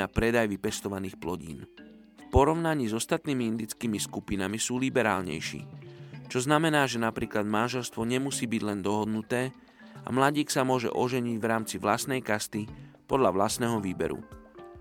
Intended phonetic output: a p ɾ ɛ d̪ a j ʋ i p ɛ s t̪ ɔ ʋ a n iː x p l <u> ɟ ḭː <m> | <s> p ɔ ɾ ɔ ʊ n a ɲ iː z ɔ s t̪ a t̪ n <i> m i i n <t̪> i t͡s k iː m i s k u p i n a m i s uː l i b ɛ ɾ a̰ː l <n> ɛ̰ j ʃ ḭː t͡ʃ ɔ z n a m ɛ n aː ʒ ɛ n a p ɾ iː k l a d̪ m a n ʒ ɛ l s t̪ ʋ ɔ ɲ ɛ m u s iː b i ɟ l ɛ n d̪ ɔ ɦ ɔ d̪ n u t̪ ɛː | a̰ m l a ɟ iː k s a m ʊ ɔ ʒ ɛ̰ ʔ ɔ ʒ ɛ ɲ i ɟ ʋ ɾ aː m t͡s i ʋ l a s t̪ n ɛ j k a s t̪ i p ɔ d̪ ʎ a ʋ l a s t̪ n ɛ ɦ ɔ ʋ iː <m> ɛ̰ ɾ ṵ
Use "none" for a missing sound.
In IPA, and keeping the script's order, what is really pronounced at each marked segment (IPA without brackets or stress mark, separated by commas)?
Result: ɔ, n, f, iː, d̪, ɲ, b